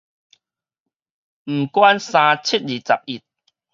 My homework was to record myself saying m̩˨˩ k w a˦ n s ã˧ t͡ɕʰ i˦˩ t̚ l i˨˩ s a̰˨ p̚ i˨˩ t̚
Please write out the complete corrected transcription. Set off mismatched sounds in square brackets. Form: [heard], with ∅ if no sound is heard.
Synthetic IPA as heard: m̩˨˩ k w a˦ n s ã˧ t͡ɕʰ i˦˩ t̚ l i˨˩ [t͡s] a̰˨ p̚ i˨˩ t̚